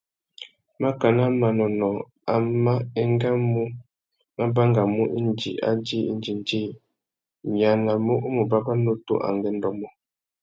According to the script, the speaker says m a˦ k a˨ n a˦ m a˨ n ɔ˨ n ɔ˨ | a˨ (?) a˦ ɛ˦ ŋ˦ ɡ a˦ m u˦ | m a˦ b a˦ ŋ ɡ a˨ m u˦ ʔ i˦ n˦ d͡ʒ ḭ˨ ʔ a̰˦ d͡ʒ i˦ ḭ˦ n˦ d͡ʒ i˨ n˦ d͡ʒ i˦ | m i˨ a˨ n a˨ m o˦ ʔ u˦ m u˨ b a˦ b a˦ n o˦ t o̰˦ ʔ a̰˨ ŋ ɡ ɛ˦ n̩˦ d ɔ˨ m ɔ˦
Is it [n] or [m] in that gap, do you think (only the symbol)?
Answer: m